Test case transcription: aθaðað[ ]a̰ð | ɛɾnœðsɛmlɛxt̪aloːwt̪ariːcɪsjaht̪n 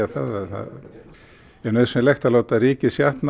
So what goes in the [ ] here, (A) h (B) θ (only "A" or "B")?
B